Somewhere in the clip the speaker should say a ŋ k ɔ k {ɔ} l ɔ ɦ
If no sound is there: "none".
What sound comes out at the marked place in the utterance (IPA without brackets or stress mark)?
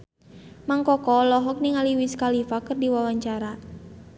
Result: ɔ